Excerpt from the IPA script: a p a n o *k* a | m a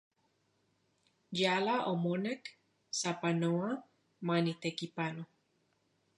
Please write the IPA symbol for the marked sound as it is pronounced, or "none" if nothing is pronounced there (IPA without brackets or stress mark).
none